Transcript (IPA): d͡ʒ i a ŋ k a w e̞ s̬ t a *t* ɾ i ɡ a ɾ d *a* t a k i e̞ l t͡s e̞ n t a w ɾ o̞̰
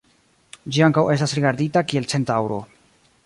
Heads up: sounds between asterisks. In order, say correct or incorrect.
incorrect: s, incorrect: i

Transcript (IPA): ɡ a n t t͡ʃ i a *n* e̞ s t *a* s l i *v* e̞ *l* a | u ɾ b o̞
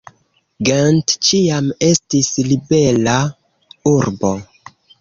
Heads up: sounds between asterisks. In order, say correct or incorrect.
incorrect: m, incorrect: i, incorrect: b, correct

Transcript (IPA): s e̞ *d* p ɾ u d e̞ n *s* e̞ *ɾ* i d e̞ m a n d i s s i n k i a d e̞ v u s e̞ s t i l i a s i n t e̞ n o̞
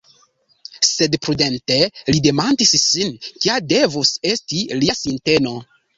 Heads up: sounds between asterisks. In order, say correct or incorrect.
correct, incorrect: t, incorrect: l

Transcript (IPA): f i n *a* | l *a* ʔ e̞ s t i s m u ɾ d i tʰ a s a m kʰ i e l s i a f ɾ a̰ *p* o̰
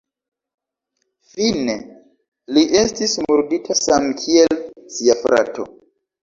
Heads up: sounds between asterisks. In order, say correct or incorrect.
incorrect: e, incorrect: i, incorrect: t

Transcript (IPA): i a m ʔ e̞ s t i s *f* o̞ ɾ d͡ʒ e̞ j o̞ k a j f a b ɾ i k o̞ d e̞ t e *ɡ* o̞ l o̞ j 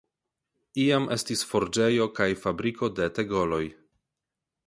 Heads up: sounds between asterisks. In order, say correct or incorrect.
correct, correct

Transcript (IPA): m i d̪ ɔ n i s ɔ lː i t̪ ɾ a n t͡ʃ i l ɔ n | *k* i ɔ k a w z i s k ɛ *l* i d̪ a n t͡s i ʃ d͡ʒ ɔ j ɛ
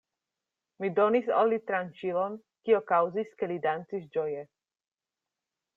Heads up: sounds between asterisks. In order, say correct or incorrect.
correct, correct

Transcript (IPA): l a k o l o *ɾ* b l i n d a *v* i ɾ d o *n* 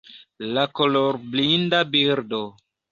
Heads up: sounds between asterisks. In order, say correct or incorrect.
correct, incorrect: b, incorrect: none

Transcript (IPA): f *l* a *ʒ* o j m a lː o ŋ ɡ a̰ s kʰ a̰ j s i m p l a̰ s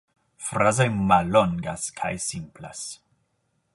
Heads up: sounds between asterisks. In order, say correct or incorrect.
incorrect: ɾ, incorrect: z

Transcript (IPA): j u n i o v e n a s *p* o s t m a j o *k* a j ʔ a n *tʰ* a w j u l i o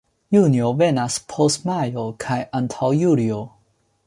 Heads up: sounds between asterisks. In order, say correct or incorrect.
incorrect: pʰ, incorrect: kʰ, correct

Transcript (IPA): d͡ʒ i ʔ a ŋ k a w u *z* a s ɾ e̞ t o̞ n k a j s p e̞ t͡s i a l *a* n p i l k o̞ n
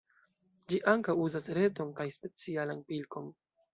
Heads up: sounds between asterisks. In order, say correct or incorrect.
correct, correct

